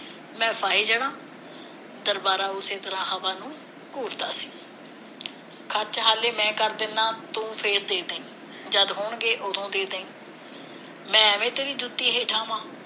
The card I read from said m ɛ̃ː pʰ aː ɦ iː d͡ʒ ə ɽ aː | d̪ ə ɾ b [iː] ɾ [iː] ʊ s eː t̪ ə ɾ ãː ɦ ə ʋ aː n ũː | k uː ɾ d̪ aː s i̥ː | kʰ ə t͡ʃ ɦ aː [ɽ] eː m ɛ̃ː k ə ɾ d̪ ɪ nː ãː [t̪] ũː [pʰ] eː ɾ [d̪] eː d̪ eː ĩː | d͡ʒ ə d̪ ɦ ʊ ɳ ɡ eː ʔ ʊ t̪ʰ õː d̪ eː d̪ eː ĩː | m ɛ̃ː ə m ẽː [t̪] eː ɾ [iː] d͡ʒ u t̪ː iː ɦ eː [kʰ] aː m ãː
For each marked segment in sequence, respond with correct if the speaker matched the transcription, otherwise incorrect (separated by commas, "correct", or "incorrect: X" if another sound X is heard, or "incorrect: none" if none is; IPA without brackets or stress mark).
incorrect: aː, incorrect: aː, incorrect: l, correct, correct, correct, correct, correct, incorrect: ʈʰ